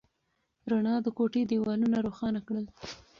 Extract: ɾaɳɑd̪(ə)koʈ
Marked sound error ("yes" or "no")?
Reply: no